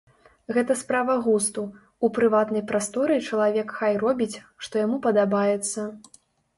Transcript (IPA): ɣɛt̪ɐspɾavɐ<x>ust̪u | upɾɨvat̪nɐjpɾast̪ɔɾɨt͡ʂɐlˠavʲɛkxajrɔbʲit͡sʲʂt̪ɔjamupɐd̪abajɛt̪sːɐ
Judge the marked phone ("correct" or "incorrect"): incorrect